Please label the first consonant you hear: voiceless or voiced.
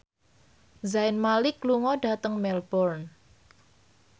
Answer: voiced